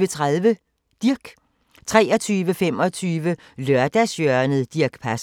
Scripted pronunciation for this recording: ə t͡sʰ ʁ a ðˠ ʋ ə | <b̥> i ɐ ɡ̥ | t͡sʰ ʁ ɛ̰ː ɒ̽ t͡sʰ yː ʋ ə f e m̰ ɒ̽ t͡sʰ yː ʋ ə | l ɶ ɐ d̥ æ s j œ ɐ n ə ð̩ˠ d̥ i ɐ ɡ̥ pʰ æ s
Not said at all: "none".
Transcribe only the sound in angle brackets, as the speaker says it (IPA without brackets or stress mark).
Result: d̥